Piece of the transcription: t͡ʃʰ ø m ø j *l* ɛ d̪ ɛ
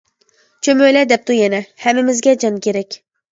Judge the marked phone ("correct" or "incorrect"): correct